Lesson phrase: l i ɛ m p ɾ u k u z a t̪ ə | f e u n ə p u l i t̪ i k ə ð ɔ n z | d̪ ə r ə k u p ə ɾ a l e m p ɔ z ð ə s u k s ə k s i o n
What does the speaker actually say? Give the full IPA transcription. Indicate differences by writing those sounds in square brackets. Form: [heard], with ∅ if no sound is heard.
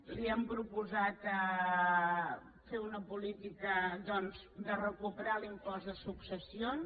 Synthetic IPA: l i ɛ m p ɾ u [p] u z a t̪ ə | f e u n ə p u l i t̪ i k ə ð ɔ n z | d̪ ə r ə k u p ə ɾ a l [i] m p ɔ z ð ə s u k s ə [∅] s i o n